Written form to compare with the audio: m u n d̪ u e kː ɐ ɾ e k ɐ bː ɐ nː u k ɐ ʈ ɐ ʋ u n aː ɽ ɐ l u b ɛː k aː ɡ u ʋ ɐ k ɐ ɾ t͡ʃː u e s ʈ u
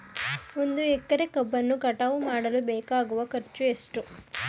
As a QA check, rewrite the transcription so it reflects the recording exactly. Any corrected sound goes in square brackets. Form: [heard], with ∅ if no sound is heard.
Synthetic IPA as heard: m u n d̪ u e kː ɐ ɾ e k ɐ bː ɐ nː u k ɐ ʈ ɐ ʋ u [m] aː ɽ ɐ l u b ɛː k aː ɡ u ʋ ɐ k ɐ ɾ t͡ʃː u e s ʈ u